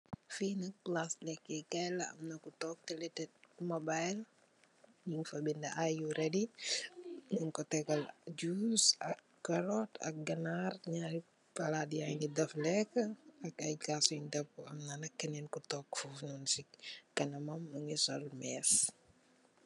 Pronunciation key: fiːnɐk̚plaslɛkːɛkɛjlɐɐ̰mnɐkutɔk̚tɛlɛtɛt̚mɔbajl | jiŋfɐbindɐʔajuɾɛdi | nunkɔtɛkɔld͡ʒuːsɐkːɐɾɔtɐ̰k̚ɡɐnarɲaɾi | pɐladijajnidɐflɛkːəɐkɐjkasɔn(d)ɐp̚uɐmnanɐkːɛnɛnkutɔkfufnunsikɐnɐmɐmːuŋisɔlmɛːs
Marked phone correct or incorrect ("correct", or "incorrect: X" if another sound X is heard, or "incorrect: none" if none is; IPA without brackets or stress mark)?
correct